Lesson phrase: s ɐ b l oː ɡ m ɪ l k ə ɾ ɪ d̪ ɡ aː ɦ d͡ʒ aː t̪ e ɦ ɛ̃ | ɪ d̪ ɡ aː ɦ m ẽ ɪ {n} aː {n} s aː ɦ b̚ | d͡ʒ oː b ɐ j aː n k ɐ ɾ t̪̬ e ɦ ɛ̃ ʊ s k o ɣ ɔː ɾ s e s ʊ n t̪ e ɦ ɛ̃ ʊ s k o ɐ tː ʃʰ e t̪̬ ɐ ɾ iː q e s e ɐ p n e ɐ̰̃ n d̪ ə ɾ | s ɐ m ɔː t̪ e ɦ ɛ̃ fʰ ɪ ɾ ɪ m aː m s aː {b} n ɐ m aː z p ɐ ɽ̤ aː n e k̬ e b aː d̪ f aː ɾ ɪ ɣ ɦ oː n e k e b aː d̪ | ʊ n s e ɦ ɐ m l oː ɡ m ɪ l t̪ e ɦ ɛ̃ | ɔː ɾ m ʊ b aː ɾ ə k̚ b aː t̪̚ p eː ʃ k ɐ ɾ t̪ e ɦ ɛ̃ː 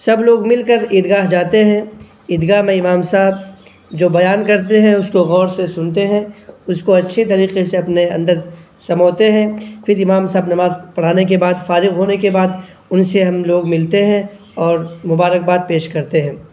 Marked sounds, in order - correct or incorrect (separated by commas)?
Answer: incorrect, incorrect, correct